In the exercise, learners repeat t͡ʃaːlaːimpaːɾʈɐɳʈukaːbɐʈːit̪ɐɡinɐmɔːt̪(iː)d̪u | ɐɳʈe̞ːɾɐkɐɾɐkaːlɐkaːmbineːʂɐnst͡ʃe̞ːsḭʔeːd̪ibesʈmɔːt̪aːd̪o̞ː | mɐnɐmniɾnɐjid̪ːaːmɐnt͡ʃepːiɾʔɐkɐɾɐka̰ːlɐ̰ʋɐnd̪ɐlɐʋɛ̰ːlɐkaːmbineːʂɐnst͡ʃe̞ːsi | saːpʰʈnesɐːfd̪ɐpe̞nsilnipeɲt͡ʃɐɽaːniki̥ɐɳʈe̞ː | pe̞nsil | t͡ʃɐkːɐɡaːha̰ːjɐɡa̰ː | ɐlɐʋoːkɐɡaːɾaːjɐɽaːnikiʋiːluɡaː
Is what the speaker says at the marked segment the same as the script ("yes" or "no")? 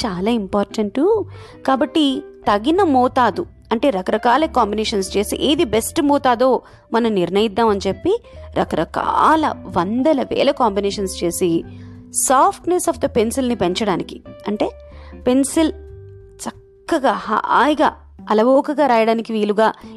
no